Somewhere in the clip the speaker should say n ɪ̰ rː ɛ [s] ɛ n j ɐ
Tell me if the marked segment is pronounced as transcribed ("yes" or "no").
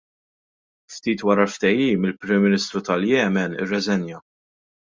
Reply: no